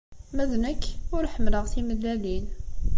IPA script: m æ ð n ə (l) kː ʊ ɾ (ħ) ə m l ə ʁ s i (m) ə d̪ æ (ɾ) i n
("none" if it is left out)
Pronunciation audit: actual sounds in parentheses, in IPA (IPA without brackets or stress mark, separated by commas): none, ħ, m, l